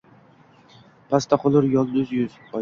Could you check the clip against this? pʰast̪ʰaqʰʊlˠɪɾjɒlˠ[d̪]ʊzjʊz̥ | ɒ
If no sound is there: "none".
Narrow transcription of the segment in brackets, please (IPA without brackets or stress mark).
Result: d̪